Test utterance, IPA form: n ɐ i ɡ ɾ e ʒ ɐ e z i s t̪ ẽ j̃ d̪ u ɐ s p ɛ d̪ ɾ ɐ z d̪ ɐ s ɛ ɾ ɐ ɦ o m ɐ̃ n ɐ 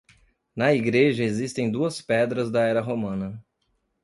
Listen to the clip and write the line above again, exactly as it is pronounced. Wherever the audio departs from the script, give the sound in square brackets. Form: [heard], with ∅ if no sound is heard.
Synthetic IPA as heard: n ɐ i ɡ ɾ e ʒ ɐ e z i s t̪ ẽ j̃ d̪ u ɐ s p ɛ d̪ ɾ ɐ z d̪ ɐ [∅] ɛ ɾ ɐ ɦ o m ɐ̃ n ɐ